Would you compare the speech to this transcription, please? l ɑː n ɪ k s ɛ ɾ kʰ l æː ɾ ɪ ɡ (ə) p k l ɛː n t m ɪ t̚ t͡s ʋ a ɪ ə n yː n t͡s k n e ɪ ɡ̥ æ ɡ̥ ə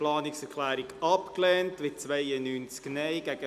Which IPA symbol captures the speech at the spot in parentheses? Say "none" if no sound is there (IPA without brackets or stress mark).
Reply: ɑ